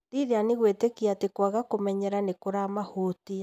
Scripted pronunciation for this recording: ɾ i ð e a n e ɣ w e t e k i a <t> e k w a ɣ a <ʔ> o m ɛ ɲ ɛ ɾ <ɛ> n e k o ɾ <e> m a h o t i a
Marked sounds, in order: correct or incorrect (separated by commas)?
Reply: correct, incorrect, incorrect, incorrect